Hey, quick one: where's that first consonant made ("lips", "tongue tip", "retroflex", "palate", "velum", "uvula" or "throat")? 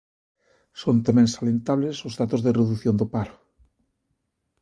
tongue tip